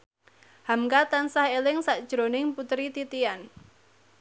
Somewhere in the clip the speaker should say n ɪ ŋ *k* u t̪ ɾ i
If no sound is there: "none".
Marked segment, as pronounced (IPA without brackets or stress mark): p